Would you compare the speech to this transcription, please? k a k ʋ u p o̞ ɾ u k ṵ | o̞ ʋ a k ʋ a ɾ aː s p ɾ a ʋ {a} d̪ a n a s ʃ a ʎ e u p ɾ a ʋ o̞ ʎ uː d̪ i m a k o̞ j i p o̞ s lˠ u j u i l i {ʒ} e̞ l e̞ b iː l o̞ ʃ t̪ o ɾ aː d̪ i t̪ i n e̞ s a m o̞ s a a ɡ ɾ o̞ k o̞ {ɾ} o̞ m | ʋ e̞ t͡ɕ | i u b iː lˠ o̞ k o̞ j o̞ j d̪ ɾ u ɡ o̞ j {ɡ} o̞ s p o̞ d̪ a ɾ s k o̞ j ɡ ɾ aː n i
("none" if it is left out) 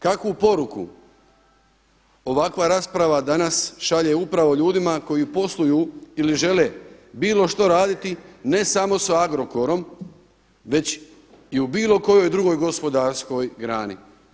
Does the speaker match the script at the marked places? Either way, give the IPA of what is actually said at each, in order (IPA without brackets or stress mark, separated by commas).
a, ʒ, ɾ, ɡ